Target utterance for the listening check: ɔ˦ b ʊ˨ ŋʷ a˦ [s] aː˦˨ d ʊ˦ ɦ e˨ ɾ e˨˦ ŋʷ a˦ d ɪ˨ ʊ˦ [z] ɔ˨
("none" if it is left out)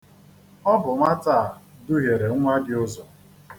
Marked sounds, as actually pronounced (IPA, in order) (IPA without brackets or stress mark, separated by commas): t, z